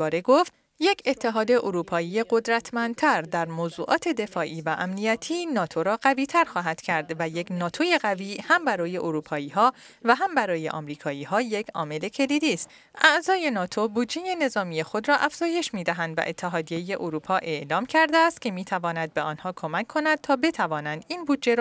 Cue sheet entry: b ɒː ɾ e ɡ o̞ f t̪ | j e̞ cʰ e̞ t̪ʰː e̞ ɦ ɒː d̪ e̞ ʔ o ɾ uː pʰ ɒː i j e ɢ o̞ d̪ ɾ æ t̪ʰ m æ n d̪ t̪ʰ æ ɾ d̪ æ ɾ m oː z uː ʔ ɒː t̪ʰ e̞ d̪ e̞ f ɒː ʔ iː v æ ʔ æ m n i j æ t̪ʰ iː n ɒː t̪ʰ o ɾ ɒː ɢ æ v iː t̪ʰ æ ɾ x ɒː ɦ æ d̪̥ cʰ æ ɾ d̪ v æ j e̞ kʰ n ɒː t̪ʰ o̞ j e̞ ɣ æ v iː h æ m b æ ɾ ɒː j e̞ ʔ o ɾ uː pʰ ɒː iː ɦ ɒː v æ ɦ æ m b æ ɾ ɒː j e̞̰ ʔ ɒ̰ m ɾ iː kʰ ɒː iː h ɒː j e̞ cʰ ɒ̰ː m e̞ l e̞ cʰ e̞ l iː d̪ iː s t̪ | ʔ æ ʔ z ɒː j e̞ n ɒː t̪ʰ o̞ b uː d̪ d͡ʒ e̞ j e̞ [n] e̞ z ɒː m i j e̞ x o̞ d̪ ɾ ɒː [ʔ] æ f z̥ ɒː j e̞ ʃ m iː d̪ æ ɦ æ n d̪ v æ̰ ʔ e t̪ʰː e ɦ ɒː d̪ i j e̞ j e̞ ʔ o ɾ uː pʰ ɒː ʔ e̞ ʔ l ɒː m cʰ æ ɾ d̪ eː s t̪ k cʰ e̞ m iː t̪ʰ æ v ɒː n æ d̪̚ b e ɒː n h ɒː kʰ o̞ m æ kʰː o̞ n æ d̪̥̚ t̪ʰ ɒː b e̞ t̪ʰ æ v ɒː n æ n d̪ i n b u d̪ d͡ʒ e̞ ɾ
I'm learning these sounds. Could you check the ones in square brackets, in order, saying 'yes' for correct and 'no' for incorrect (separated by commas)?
yes, yes